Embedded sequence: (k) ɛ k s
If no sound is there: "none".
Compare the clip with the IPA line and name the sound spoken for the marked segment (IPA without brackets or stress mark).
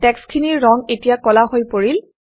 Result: t